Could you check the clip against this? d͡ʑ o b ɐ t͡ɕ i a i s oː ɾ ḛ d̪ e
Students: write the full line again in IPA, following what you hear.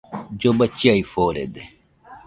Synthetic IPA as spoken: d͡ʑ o b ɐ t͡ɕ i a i f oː ɾ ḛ d̪ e